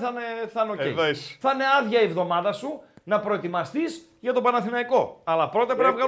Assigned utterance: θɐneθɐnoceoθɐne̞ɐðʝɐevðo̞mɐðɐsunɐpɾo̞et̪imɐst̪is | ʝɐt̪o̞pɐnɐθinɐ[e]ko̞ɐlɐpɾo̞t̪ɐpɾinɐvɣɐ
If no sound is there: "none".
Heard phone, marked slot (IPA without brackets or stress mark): i